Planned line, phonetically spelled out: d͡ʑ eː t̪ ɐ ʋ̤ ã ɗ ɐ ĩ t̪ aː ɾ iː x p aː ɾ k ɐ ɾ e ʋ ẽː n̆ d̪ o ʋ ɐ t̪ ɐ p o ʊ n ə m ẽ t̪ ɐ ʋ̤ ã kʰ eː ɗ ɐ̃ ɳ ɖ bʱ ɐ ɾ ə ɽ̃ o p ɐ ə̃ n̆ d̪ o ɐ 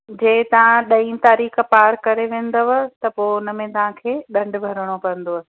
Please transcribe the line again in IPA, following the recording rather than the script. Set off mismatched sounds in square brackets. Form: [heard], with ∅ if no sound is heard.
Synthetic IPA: d͡ʑ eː t̪ ɐ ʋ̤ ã ɗ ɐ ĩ t̪ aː ɾ iː x p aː ɾ k ɐ ɾ e ʋ ẽː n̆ d̪ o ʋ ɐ t̪ ɐ p o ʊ n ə m ẽ t̪ ɐ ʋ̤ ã kʰ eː ɗ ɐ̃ ɳ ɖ bʱ ɐ ɾ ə ɽ̃ o p ɐ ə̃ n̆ d̪ o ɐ